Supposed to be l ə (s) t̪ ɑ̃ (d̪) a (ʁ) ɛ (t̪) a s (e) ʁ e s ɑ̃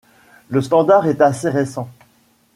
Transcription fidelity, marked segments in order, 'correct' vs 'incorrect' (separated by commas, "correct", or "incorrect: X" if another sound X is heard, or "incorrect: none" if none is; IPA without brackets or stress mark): correct, correct, correct, correct, correct